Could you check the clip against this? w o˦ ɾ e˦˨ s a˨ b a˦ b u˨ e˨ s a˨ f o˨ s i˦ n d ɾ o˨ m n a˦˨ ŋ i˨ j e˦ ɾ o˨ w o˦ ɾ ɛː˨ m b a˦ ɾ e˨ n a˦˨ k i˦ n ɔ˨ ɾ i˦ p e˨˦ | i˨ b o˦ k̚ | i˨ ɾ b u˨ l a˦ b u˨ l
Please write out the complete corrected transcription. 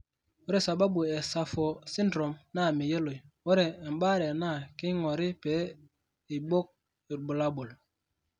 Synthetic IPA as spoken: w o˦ ɾ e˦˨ s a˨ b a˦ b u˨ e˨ s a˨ f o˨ s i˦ n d ɾ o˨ m n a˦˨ m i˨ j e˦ l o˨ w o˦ ɾ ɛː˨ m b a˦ ɾ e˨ n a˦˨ k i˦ ŋ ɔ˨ ɾ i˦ p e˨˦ | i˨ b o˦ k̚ | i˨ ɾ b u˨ l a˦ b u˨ l